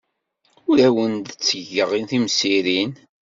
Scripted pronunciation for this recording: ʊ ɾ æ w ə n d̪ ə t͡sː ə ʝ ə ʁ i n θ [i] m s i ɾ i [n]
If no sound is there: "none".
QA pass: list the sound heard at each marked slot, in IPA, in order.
i, n

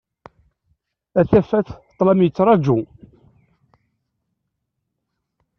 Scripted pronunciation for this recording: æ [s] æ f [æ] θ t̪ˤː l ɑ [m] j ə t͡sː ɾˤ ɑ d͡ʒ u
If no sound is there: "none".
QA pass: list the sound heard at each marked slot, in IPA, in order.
θ, æ, m

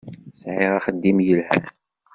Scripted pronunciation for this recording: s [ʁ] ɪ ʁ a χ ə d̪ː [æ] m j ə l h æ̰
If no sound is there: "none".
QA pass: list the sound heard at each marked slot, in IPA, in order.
ʕ, i

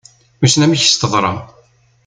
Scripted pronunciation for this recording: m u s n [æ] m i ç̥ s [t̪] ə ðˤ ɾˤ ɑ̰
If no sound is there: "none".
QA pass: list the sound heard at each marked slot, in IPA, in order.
æ, t̪

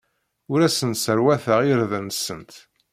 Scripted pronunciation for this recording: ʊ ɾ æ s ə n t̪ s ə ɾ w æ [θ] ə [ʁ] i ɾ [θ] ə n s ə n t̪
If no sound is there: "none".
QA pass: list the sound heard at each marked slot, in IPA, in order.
θ, ʁ, ð

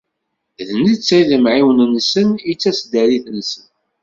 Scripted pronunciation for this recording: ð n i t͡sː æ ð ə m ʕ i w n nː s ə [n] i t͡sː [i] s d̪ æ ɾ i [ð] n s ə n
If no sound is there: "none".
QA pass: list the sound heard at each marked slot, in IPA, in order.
n, æ, θ

